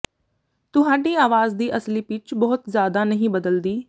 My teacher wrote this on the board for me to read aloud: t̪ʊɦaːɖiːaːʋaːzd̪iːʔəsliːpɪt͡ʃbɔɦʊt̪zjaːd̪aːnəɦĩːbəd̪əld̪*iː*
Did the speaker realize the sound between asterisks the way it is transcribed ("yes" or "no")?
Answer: yes